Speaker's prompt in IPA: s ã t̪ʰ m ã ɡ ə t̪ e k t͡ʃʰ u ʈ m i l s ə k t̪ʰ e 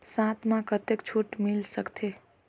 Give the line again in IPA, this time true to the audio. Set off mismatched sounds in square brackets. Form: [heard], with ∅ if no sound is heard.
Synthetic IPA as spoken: s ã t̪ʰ m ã [k] ə t̪ e k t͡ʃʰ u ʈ m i l s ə k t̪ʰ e